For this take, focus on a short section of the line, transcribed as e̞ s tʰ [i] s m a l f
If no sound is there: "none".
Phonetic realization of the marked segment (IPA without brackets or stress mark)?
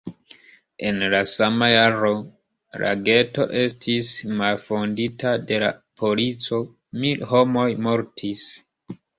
i